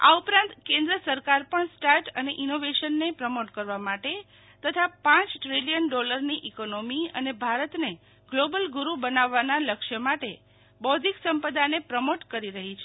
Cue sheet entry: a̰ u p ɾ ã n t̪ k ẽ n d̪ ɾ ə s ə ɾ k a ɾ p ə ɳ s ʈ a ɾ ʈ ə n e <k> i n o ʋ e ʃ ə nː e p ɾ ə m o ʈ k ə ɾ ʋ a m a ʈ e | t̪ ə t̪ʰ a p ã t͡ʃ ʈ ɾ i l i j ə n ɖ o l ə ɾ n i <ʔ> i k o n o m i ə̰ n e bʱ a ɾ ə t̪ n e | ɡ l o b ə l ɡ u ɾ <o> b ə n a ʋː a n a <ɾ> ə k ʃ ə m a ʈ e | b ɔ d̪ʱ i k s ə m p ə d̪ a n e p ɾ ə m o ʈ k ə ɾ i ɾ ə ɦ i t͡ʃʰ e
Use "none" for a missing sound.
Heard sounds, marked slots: ʔ, ʔ, u, l

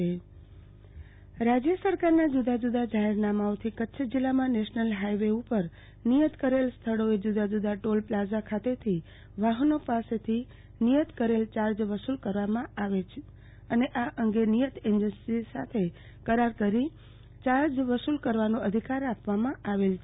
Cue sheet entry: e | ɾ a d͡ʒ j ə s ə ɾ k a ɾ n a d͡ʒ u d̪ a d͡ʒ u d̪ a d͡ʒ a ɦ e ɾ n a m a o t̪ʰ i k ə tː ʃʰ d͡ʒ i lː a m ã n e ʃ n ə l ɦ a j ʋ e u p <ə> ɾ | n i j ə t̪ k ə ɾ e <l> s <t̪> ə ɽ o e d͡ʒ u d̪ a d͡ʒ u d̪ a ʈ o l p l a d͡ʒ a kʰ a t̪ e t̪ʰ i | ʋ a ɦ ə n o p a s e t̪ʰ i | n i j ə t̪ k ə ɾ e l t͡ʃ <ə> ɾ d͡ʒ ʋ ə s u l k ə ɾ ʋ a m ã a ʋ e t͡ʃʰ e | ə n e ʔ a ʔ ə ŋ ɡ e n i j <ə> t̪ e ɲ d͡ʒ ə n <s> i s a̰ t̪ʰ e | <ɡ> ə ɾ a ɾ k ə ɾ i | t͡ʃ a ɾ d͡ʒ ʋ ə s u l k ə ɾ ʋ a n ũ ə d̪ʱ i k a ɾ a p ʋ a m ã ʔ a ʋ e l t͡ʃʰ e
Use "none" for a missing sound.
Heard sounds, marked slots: ə, l, t̪ʰ, a, ə, s, k

